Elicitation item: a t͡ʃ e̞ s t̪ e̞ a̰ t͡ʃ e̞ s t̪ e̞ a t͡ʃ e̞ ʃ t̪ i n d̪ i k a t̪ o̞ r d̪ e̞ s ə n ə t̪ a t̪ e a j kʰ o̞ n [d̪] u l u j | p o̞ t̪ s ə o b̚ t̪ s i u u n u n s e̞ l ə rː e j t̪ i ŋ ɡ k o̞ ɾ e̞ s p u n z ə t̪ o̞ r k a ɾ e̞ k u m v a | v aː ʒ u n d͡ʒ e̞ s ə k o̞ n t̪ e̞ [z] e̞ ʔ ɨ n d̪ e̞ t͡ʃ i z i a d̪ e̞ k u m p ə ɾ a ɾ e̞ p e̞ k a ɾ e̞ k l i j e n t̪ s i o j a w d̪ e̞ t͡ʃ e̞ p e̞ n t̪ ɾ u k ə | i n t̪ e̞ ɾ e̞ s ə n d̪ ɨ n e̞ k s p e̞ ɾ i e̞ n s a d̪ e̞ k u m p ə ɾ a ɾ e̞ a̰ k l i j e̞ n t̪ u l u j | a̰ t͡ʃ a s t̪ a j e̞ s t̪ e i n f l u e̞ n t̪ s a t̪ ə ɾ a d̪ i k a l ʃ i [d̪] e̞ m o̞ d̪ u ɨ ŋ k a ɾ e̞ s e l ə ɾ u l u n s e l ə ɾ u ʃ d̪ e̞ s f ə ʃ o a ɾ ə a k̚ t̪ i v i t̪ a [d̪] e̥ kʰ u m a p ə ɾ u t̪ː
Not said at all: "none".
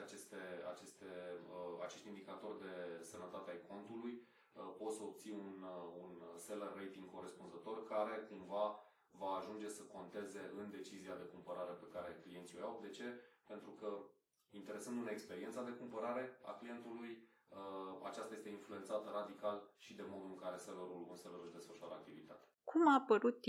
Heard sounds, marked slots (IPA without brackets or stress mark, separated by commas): t̪, z, d̪, t̪